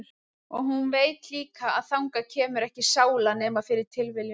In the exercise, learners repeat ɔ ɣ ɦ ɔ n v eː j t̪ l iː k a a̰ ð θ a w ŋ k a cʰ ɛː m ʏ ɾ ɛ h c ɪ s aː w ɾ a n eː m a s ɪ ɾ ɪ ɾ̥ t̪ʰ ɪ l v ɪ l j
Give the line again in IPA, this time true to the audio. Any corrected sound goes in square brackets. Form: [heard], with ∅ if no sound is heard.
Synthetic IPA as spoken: ɔ ɣ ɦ [u] n v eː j t̪ l iː k a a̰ ð θ a w ŋ k a cʰ ɛː m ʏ ɾ ɛ h c ɪ s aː w [l] a n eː m a [f] ɪ ɾ ɪ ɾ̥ t̪ʰ ɪ l v ɪ l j

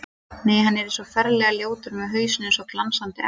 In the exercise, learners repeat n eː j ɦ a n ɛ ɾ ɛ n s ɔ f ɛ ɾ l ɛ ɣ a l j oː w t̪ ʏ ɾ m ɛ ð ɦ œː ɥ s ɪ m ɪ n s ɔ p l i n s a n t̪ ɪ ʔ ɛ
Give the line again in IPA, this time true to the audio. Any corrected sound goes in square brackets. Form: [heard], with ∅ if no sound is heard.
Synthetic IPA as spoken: n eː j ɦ a [nː] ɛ ɾ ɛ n s ɔ f ɛ ɾ l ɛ ɣ a l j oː w t̪ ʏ ɾ m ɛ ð ɦ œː ɥ s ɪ [n] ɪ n s ɔ [k] l [a] n s a n t̪ ɪ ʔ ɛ

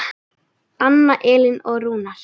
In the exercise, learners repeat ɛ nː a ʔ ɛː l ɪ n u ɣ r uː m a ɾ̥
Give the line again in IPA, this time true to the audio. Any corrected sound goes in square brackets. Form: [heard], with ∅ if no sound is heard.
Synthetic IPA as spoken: [a] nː a ʔ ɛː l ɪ n [ɔ] ɣ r uː [n] a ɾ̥

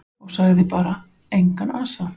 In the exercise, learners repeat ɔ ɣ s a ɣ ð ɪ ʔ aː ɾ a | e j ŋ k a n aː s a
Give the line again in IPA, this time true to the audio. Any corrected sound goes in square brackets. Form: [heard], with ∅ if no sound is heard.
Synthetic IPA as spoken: ɔ ɣ s a ɣ ð ɪ [p] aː ɾ a | e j ŋ k a n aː s a

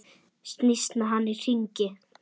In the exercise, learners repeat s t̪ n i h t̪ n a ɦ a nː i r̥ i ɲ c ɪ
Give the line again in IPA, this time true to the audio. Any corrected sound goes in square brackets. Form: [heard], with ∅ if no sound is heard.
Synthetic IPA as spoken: s t̪ n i [s] t̪ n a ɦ a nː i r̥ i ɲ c ɪ

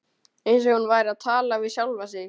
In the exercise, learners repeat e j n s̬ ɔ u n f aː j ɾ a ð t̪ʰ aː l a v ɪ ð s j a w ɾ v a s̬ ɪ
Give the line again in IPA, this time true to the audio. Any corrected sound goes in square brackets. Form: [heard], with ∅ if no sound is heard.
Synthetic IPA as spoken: e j n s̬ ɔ u n [v] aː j ɾ a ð t̪ʰ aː l a v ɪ ð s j a w [l] v a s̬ ɪ

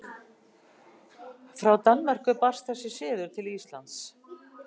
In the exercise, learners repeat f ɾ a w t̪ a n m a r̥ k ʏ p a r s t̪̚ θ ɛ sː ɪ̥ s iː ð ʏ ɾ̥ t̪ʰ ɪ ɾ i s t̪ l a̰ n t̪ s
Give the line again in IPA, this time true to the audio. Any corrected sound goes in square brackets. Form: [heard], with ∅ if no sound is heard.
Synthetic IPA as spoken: f ɾ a w t̪ a n m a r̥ k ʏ p a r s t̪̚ θ ɛ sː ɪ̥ s [ɪː] ð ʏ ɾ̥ t̪ʰ ɪ [l] i s t̪ l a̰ n t̪ s

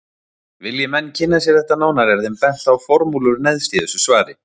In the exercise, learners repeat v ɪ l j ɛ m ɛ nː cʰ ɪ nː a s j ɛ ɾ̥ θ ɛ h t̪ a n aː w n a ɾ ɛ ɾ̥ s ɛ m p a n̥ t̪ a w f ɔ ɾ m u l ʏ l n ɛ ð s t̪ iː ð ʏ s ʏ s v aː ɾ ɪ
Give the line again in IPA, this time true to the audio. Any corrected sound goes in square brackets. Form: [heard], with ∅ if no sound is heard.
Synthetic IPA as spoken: v ɪ l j ɛ m ɛ nː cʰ ɪ nː a s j ɛ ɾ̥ θ ɛ h t̪ a n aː w n a ɾ ɛ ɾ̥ [θ] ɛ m p [ɛ] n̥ t̪ a w f ɔ ɾ m u l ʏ [ɾ] n ɛ ð s t̪ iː ð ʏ s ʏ s v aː ɾ ɪ

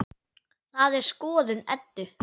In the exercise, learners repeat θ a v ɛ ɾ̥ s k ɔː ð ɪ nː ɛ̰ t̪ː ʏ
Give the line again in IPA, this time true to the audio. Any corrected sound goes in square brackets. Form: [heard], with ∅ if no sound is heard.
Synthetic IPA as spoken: θ a [ð] ɛ ɾ̥ s k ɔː ð ɪ [n] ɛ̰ t̪ː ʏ

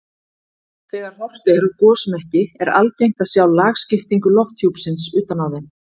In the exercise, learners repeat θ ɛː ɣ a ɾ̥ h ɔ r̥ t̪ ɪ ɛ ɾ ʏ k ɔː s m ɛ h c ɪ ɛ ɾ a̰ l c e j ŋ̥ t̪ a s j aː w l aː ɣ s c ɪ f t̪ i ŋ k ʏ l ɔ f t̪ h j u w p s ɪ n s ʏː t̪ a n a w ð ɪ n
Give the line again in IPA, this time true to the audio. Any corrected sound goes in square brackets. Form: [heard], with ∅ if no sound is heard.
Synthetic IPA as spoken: θ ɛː ɣ a ɾ̥ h ɔ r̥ t̪ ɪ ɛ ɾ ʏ k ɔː s m ɛ h c ɪ ɛ ɾ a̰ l c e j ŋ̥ t̪ a s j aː w l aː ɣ s c ɪ f t̪ i ŋ k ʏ l ɔ f t̪ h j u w p s ɪ n s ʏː t̪ a n a w ð ɪ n

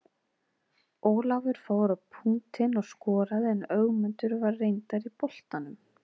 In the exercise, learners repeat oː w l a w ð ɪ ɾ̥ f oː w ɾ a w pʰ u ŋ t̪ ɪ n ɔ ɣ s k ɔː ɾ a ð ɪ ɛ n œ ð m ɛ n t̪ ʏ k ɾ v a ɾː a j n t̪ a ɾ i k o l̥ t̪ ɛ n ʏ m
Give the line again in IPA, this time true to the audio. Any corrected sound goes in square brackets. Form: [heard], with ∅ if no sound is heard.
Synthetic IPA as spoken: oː w l a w [v] ɪ ɾ̥ f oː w ɾ a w pʰ u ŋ t̪ ɪ n ɔ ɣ s k ɔː ɾ a ð ɪ ɛ n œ [ɣ] m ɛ n t̪ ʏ [∅] ɾ v a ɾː [e] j n t̪ a ɾ i [p] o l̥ t̪ [a] n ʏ m

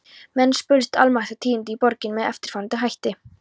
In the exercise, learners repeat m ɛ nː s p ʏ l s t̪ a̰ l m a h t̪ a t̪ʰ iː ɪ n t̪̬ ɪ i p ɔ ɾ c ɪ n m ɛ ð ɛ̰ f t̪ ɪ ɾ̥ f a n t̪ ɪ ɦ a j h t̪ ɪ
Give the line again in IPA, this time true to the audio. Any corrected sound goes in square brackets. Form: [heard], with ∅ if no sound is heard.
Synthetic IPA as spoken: m ɛ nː s p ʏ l s t̪ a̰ l m a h t̪ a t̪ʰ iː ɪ n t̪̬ ɪ i p ɔ ɾ c ɪ n m ɛ ð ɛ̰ f t̪ ɪ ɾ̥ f a n t̪ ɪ ɦ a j h t̪ ɪ

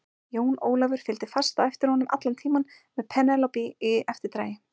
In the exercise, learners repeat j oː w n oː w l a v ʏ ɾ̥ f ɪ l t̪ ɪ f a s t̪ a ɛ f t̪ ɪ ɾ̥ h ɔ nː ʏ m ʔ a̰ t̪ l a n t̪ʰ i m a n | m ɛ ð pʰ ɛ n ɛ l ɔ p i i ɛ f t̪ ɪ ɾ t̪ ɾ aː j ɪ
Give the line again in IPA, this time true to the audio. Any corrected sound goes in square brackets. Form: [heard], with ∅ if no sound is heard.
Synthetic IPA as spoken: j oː w n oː w l a v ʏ ɾ̥ f ɪ l t̪ ɪ f a s t̪ a ɛ f t̪ ɪ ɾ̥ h ɔ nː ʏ m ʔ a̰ t̪ l a n t̪ʰ [iː] m a n | m ɛ ð pʰ ɛ n ɛ l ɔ p i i ɛ f t̪ ɪ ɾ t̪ ɾ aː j ɪ

